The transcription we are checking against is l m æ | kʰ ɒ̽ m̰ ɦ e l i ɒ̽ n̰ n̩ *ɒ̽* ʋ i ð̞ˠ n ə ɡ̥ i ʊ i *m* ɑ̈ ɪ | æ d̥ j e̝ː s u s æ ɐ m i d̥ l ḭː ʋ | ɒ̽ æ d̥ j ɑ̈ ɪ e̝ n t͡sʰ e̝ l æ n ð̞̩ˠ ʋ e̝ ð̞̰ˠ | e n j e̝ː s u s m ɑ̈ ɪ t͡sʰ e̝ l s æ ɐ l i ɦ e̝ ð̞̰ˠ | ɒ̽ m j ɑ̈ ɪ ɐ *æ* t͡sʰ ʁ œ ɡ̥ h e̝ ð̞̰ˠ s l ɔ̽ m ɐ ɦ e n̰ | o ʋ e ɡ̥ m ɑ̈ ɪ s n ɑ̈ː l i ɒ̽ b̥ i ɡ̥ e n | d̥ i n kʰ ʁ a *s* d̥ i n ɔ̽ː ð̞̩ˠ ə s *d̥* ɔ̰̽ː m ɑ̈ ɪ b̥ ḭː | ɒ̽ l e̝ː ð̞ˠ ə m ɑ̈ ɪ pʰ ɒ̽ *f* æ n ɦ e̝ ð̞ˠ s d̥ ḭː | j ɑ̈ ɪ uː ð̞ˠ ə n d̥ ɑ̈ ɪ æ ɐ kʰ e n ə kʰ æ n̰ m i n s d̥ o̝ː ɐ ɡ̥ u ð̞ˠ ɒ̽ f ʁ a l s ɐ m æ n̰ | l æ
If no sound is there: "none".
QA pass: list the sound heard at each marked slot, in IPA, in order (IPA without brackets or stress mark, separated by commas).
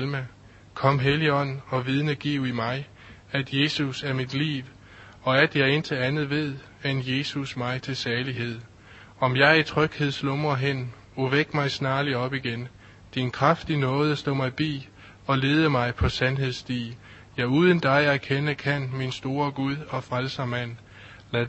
ɒ̽, m, i, f, d̥, s